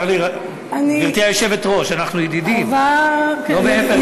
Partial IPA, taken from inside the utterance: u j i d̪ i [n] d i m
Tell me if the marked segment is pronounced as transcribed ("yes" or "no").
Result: no